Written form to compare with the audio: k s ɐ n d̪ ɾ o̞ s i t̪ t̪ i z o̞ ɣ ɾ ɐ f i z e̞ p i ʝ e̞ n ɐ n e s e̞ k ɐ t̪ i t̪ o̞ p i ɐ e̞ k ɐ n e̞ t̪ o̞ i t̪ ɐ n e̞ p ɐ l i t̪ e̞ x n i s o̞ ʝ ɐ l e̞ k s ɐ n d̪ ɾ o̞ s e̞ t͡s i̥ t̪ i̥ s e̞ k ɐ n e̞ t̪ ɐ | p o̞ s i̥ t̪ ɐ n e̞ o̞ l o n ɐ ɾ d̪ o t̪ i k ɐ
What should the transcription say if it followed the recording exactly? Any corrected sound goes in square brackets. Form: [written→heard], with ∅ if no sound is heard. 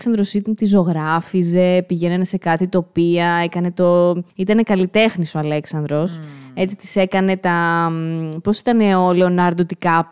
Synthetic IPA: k s ɐ n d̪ ɾ o̞ s i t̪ t̪ i z o̞ ɣ ɾ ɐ f i z e̞ p i ʝ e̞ n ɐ n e s e̞ k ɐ t̪ i t̪ o̞ p i ɐ e̞ k ɐ n e̞ t̪ o̞ i t̪ ɐ n e̞ [p→k] ɐ l i t̪ e̞ x n i s o̞ [ʝ→∅] ɐ l e̞ k s ɐ n d̪ ɾ o̞ s e̞ t͡s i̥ t̪ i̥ s e̞ k ɐ n e̞ t̪ ɐ | p o̞ s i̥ t̪ ɐ n e̞ o̞ l o n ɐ ɾ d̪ o t̪ i k ɐ